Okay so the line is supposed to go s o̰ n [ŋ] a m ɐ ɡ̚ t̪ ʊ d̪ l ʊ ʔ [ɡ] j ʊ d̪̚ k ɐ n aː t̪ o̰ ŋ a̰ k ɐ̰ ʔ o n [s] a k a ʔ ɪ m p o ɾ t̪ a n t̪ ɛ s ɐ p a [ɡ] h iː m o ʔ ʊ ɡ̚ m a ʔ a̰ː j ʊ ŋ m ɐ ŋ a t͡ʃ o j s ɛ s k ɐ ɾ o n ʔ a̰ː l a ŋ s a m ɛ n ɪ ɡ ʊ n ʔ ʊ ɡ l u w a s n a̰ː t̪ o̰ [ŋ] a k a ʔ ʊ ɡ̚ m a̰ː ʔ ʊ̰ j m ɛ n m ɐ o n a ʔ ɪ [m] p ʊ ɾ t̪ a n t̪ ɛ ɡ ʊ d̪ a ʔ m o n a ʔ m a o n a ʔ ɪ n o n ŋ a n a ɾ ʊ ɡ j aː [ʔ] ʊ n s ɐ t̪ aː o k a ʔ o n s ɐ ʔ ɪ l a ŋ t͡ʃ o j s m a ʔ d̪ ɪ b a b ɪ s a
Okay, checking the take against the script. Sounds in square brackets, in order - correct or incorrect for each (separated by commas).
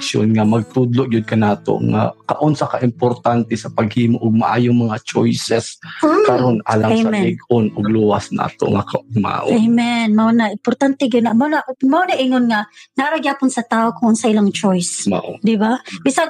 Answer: correct, correct, correct, correct, correct, correct, incorrect